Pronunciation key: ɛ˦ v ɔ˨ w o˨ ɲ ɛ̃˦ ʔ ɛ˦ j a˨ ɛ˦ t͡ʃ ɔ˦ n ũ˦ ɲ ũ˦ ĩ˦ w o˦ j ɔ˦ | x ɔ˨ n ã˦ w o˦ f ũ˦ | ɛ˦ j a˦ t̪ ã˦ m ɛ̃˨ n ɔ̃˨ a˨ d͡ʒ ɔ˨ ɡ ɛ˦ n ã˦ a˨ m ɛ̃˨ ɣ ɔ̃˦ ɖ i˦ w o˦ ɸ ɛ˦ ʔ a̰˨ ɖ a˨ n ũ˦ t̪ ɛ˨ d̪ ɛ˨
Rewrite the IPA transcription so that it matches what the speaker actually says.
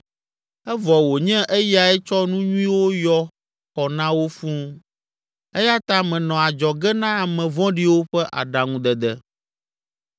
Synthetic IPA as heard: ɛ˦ v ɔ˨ w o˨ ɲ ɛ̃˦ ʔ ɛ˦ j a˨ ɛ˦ t͡ʃ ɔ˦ n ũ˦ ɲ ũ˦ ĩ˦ w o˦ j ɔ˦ | x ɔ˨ n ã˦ w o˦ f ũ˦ | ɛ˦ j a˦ t̪ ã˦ m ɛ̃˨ n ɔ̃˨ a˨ d͡ʒ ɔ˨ ɡ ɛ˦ n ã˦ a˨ m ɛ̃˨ v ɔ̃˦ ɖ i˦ w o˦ ɸ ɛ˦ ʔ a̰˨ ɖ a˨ ŋ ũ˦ d̪ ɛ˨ d̪ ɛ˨